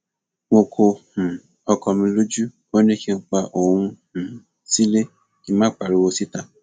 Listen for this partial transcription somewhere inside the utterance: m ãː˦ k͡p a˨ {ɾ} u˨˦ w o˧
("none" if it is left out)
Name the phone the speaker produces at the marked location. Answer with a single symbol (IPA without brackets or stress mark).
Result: ɾ